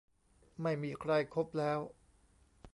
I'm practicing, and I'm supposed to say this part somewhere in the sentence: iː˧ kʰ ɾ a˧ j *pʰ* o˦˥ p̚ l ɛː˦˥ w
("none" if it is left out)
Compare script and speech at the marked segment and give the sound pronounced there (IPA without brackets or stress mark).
kʰ